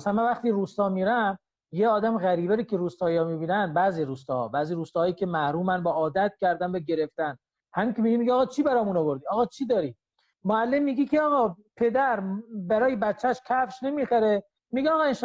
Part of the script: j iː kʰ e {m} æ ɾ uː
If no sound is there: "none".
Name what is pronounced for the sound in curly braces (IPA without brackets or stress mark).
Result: m